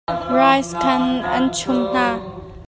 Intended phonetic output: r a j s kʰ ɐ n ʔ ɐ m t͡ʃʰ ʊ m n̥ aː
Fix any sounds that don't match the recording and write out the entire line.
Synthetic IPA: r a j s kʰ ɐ n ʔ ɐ n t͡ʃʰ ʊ m n̥ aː